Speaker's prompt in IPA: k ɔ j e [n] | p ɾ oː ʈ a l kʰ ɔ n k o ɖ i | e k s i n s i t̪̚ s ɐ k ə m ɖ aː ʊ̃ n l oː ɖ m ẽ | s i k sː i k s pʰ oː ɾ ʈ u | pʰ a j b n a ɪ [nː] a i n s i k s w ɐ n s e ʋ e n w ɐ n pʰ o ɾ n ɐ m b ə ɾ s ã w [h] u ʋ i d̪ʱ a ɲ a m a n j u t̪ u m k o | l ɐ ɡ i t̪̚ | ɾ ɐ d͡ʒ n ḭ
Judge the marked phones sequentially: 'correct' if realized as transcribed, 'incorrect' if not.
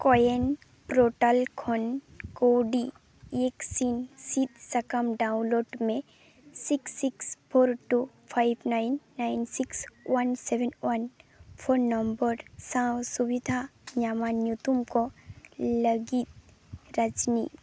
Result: correct, correct, incorrect

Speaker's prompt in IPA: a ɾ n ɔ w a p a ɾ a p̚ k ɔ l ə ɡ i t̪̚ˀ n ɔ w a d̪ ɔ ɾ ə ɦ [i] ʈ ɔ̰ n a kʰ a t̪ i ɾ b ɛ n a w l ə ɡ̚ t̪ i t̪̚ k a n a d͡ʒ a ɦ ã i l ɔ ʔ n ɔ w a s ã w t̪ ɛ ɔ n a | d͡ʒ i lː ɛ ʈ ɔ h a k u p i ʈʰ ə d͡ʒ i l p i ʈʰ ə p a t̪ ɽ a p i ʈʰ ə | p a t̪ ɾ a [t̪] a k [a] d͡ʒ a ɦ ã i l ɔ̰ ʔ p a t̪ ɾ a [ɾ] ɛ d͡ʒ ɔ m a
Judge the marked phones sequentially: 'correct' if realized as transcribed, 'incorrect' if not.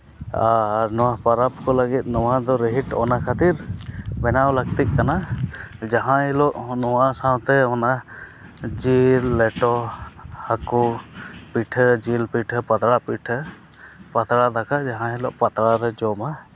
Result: correct, incorrect, correct, correct

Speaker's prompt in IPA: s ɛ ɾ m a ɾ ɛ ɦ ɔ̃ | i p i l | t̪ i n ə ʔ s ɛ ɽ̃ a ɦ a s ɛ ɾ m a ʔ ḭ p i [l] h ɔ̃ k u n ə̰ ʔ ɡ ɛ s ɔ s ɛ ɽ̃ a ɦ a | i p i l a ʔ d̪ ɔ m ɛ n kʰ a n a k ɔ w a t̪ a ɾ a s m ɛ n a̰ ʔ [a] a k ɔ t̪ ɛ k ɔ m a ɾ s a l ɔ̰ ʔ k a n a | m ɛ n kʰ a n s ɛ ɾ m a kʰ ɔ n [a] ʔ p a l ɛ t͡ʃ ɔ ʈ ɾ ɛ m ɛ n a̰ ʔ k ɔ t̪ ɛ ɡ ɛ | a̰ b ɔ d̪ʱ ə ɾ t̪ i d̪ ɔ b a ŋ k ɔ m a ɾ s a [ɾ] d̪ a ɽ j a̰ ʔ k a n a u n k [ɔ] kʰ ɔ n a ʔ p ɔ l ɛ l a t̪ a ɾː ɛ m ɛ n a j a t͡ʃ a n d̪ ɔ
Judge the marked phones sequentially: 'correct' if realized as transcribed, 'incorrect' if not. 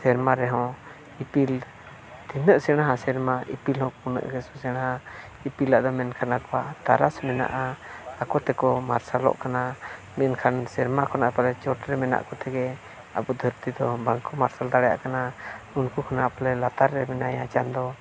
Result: correct, correct, correct, incorrect, incorrect

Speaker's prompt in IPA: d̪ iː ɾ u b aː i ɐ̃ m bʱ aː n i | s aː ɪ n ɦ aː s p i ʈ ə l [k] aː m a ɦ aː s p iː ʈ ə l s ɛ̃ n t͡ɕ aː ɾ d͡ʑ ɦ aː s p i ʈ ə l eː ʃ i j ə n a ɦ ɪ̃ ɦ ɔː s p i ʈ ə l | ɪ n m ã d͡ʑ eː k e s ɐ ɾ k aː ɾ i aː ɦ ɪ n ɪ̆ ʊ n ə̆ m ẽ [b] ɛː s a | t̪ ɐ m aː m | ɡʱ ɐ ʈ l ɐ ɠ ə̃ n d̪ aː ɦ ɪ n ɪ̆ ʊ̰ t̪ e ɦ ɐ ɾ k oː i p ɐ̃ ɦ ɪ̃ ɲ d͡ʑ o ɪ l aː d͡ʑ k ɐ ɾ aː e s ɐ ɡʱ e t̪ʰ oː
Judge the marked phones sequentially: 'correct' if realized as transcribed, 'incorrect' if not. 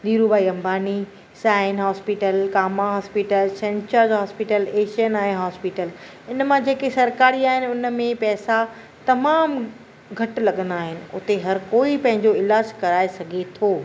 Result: correct, incorrect

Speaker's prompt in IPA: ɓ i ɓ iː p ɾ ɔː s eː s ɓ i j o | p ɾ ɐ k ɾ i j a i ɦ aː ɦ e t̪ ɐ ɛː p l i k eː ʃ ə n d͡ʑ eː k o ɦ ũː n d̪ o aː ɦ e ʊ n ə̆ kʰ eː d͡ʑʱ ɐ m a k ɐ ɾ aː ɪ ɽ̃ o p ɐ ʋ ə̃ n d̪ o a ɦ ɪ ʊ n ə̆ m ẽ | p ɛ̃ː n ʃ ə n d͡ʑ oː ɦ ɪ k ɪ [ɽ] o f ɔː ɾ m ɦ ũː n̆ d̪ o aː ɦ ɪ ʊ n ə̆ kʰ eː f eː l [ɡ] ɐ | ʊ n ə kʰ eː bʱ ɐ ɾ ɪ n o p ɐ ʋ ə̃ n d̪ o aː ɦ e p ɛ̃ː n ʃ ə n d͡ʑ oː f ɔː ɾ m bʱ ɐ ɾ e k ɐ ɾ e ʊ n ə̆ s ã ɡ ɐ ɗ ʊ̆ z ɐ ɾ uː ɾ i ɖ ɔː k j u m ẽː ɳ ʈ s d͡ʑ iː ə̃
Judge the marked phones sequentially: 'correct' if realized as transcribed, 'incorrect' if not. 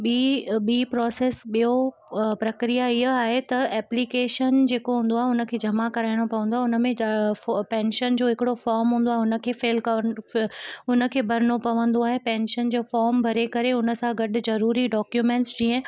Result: correct, incorrect

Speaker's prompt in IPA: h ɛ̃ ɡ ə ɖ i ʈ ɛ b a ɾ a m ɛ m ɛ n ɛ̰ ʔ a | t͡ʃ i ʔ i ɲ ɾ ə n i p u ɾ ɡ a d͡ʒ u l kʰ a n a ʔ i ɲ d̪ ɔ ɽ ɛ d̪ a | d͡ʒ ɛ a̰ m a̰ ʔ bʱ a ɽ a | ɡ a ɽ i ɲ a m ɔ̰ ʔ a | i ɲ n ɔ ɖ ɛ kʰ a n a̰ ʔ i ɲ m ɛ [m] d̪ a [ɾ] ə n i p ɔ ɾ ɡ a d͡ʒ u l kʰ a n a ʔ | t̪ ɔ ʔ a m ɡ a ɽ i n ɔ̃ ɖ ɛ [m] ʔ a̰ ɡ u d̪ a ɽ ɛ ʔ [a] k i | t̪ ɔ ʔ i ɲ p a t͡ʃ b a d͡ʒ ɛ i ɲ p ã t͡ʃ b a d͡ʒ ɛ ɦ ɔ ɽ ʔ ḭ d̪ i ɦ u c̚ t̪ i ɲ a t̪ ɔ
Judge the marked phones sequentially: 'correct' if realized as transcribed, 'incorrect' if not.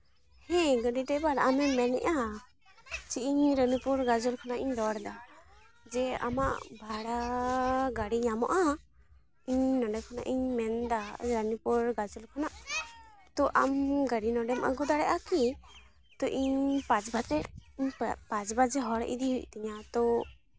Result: incorrect, correct, correct, correct

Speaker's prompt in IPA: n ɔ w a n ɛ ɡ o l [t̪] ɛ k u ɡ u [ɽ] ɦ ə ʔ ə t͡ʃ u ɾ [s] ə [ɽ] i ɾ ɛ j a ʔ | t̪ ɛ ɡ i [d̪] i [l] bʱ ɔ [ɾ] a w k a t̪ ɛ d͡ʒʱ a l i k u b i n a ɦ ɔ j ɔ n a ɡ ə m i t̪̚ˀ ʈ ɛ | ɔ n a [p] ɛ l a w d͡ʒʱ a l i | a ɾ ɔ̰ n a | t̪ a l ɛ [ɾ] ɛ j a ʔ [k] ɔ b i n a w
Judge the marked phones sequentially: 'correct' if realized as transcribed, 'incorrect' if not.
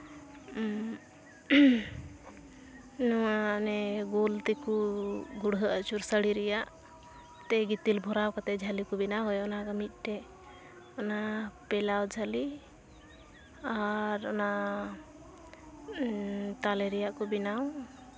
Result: correct, correct, correct, correct, incorrect, correct, correct, correct, correct, correct

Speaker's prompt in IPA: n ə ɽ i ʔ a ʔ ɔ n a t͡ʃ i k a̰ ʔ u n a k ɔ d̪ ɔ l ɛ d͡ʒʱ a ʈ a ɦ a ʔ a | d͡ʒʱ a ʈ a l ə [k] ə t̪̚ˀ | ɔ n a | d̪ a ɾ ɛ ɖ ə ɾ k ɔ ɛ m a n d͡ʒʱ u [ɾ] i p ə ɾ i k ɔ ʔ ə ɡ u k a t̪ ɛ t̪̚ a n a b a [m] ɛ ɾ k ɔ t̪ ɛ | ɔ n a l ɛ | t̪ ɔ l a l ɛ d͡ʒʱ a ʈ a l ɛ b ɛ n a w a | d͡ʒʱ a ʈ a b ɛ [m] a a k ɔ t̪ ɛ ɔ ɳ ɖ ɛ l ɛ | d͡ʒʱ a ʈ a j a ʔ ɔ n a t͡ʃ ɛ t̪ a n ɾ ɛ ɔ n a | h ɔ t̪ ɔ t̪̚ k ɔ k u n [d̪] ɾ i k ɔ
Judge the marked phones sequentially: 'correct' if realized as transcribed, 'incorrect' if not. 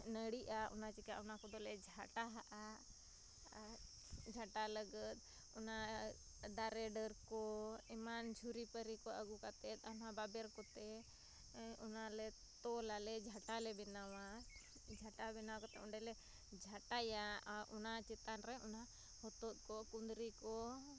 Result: incorrect, correct, incorrect, incorrect, correct

